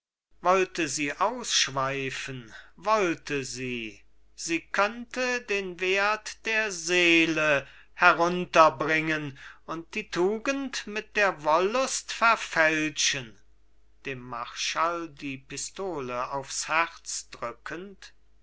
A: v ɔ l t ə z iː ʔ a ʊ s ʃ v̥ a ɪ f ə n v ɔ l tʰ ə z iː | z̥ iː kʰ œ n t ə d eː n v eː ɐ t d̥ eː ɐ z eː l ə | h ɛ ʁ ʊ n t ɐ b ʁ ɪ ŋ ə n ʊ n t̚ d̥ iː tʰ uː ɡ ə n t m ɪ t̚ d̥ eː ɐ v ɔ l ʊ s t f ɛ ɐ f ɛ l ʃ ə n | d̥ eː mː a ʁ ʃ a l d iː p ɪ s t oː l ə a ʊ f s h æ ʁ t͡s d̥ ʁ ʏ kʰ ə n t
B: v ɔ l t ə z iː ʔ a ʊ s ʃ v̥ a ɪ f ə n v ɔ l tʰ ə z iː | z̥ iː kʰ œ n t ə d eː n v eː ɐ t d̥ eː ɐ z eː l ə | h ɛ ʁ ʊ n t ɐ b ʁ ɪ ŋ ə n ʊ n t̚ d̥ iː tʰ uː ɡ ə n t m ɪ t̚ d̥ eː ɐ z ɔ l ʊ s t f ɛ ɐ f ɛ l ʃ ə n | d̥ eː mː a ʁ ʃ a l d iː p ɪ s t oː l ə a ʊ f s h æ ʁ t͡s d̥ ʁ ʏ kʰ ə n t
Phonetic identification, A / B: A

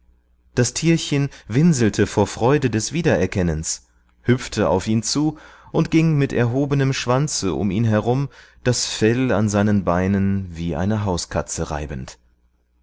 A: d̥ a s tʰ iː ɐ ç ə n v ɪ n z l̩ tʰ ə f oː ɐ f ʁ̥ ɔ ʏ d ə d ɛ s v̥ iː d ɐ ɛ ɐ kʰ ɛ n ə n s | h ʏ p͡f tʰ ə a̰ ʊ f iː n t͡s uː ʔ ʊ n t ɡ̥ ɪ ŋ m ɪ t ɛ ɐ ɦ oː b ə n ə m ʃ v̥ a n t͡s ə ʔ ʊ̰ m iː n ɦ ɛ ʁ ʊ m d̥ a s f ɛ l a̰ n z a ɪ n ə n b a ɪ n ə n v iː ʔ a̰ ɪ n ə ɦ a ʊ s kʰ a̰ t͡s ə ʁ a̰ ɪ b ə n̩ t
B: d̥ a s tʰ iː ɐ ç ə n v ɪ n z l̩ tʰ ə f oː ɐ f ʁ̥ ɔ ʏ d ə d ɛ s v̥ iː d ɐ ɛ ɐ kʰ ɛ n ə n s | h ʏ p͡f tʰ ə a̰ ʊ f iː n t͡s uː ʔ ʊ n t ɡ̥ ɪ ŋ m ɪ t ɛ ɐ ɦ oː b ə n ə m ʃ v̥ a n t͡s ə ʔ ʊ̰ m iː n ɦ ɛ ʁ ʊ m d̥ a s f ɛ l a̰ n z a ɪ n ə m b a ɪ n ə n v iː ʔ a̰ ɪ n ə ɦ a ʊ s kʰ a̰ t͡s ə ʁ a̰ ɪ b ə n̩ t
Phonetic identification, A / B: A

